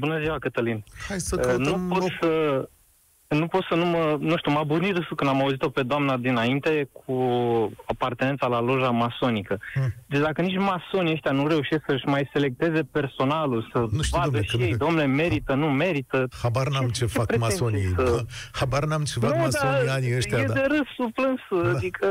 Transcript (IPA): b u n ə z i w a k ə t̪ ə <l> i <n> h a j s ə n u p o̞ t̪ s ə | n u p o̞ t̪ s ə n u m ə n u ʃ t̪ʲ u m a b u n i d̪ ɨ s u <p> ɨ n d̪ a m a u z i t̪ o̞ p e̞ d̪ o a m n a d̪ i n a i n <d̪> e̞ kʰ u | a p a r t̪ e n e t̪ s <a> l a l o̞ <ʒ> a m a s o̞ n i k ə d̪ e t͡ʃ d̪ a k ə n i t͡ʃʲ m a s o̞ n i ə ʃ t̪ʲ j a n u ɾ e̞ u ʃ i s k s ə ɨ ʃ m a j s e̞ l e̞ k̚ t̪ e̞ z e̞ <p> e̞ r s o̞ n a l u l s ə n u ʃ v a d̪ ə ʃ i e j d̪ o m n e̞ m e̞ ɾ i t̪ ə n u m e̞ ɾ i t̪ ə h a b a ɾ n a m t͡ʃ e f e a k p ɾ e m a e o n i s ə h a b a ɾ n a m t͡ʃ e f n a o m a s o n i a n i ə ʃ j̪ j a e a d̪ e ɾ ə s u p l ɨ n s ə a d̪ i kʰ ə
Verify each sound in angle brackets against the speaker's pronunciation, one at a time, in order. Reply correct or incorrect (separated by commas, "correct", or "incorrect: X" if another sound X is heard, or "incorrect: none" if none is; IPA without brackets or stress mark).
correct, correct, incorrect: k, incorrect: t̪, correct, correct, correct